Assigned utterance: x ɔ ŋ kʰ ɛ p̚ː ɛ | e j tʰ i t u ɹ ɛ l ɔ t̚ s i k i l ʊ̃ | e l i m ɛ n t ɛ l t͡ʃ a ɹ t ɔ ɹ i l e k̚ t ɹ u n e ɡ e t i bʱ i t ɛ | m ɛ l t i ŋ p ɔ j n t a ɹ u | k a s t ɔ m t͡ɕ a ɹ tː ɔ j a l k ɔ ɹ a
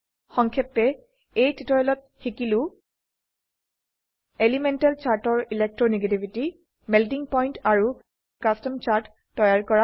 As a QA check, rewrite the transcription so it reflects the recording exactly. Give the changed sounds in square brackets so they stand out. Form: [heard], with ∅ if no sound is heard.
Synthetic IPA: x ɔ ŋ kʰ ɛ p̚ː ɛ | e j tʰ i t [ɔ] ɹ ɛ l ɔ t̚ [x] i k i l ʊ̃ | e l i m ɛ n t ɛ l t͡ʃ a ɹ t ɔ ɹ i l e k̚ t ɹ [ɔ] n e ɡ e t i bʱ i t [i] | m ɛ l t i ŋ p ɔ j n t a ɹ u | k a s t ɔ m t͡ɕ a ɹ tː ɔ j a [ɹ] k ɔ ɹ a